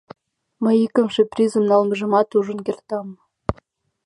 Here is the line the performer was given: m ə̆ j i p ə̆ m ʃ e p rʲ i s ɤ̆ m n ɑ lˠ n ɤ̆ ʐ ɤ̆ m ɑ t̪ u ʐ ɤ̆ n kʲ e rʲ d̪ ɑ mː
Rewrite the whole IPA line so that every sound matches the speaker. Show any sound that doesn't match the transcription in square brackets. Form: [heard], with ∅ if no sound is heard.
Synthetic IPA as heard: m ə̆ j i [k] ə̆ m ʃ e p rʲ i [z] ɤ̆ m n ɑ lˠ [m] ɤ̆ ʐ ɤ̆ m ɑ t̪ u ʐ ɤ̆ n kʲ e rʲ [t̪] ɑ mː